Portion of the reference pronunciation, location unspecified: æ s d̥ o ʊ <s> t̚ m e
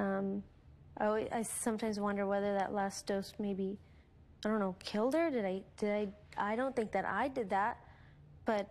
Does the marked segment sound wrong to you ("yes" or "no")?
no